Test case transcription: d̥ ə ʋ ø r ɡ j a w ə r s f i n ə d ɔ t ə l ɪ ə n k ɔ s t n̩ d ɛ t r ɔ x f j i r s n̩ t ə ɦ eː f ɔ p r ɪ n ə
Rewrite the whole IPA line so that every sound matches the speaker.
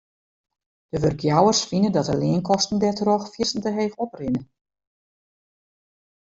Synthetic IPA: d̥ ə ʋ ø r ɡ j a w ə r s f i n ə d ɔ t ə l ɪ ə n k ɔ s t n̩ d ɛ t r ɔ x f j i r s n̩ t ə ɦ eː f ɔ p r ɪ n ə